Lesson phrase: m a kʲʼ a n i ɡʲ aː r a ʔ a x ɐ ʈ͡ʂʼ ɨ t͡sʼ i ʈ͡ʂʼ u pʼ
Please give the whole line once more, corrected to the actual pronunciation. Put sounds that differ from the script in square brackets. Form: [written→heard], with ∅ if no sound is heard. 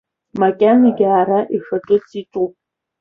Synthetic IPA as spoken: m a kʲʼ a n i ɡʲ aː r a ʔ [a→i] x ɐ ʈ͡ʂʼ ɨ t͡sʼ i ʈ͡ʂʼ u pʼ